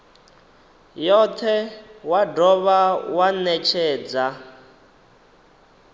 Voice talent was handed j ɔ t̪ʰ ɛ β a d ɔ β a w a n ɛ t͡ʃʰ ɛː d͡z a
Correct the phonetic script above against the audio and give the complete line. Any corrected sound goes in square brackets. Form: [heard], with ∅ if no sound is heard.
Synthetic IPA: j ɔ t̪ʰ ɛ [w] a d ɔ β a w a n ɛ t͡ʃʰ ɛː d͡z a